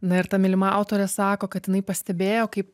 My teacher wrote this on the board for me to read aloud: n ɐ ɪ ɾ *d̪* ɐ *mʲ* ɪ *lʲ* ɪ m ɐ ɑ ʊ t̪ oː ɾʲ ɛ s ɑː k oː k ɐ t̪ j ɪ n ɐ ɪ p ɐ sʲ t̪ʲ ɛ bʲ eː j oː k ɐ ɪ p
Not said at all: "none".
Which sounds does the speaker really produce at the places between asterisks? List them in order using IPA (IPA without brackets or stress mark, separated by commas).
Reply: t̪, mʲ, lʲ